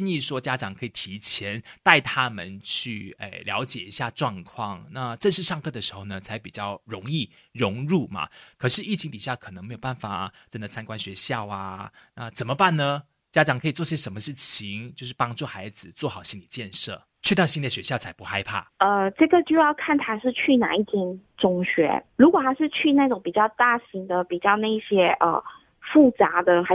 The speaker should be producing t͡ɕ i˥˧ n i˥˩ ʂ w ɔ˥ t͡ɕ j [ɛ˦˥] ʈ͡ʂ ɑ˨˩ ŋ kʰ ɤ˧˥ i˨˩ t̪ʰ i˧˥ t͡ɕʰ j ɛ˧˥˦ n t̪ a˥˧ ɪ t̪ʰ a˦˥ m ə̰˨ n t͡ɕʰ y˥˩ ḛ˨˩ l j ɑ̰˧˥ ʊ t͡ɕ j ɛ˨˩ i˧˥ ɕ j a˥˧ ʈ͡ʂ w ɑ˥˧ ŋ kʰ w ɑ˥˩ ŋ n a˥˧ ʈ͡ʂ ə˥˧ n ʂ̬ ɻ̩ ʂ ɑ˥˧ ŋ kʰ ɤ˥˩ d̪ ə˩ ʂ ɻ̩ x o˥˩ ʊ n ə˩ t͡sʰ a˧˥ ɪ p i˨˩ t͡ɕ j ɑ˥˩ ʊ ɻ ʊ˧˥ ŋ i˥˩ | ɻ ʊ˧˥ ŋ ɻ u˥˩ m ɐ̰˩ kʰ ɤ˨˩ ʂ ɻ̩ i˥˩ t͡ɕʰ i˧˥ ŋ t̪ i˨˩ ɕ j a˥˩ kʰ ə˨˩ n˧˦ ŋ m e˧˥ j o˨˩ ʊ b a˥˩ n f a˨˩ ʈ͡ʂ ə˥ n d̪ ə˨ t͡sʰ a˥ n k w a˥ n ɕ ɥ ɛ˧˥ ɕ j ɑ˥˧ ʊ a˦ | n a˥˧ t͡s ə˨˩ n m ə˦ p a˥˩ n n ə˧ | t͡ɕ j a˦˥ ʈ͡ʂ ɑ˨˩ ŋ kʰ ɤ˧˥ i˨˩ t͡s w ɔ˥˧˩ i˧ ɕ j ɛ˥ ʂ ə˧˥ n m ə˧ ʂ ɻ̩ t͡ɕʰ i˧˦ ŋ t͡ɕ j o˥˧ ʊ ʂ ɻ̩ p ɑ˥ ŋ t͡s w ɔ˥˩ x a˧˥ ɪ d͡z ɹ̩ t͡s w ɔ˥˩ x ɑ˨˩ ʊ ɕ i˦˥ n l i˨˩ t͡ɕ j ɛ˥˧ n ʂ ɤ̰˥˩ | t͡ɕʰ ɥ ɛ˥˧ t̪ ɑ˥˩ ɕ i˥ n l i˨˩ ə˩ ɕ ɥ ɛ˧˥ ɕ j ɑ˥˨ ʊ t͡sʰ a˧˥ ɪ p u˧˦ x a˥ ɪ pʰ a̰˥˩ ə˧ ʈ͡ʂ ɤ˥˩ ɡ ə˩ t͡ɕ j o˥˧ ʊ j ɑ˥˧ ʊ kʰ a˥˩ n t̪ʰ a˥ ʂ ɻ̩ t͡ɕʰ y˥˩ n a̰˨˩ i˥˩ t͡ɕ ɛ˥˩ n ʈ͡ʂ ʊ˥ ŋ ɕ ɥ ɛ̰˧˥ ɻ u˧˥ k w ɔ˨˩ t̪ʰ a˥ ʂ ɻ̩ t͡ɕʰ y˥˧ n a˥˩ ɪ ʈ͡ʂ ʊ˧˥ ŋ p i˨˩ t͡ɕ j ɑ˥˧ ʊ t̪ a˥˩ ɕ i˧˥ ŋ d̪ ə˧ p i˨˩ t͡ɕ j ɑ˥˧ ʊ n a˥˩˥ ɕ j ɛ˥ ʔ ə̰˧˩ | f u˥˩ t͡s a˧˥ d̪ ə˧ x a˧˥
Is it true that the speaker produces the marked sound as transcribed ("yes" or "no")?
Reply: no